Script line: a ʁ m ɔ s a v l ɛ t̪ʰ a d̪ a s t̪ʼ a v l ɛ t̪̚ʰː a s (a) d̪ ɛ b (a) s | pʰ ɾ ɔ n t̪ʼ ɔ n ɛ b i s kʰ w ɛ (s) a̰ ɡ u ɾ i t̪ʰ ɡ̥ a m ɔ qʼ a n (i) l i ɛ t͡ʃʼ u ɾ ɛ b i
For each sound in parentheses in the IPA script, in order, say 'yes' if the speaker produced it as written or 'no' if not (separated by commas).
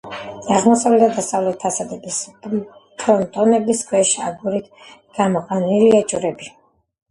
yes, no, no, yes